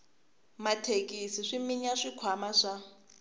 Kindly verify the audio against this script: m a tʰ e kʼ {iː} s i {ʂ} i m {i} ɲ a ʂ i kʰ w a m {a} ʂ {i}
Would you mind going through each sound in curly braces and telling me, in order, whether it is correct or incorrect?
incorrect: i, correct, correct, correct, incorrect: a

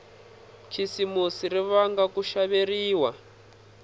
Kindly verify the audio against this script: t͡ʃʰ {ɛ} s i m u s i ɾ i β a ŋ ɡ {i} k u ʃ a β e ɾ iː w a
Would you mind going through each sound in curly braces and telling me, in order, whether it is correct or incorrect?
incorrect: i, incorrect: a

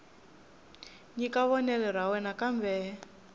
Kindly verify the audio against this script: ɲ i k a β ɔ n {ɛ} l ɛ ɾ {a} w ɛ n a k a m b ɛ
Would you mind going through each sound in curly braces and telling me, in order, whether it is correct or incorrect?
correct, correct

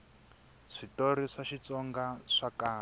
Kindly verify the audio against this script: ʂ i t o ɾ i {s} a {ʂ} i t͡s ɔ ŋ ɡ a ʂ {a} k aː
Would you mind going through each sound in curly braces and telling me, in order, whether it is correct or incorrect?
incorrect: ʂ, incorrect: ʃ, correct

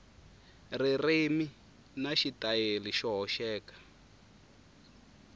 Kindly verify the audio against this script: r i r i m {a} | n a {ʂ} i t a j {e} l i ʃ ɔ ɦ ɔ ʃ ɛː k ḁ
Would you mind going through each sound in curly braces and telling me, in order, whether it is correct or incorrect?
incorrect: i, incorrect: ʃ, correct

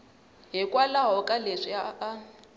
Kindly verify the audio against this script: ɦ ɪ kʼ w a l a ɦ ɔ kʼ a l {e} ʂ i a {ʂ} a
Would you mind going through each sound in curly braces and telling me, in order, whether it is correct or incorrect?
correct, incorrect: none

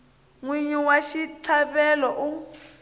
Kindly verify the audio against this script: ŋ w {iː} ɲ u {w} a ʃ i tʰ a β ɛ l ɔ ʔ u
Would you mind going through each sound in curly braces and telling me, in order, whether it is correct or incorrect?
incorrect: i, correct

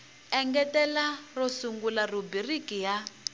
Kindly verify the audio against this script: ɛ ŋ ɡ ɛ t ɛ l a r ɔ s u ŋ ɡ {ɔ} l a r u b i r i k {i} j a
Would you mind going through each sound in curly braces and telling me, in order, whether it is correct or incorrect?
incorrect: u, correct

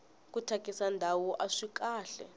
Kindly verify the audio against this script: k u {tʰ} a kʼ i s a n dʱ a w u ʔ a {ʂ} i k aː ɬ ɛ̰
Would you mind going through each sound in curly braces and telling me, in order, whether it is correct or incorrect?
correct, correct

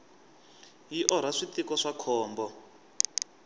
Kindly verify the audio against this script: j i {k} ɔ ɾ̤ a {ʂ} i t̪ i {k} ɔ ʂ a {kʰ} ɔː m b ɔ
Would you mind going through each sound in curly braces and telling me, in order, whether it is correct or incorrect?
incorrect: ʔ, correct, correct, correct

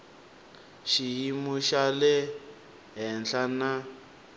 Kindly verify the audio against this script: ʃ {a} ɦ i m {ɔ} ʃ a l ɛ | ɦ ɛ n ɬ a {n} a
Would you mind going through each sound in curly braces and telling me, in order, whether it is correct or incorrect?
incorrect: i, incorrect: u, correct

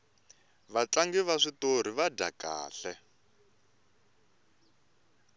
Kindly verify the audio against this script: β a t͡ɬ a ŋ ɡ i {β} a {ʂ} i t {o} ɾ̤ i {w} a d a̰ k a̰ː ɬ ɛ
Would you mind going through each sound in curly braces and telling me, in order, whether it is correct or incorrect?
correct, correct, correct, incorrect: β

